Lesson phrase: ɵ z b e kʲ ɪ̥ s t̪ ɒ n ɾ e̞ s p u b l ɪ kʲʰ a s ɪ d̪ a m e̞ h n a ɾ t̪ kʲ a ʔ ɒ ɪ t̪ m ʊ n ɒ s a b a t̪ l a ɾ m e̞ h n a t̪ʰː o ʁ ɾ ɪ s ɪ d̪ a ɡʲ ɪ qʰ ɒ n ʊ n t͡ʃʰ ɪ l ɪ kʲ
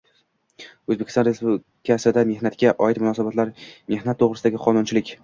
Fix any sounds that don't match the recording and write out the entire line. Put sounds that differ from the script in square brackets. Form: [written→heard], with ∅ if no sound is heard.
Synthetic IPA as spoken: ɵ z b e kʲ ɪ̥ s t̪ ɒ n ɾ e̞ s p u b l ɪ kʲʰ a s ɪ d̪ a m e̞ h n a [ɾ→∅] t̪ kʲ a ʔ ɒ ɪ t̪ m ʊ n ɒ s a b a t̪ l a ɾ m e̞ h n a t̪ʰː o ʁ ɾ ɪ s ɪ d̪ a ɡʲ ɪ qʰ ɒ n ʊ n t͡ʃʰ ɪ l ɪ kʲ